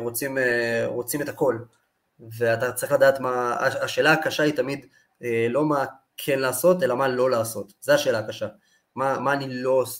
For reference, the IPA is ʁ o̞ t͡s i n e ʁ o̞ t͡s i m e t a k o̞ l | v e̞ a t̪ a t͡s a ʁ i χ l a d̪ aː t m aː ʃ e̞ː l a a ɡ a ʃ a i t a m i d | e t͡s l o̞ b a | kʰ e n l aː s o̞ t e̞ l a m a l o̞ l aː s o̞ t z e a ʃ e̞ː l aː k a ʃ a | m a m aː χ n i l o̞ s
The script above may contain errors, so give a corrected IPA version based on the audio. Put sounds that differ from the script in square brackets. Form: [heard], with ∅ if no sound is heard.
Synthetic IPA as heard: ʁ o̞ t͡s i [m] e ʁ o̞ t͡s i m e t a k o̞ l | v e̞ a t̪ a t͡s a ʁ i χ l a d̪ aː t m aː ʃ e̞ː l a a [k] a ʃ a i t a m i d | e [∅] l o̞ [m] a | kʰ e n l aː s o̞ t e̞ l a m a l o̞ l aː s o̞ t z e a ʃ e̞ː l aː k a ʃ a | m a m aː [∅] n i l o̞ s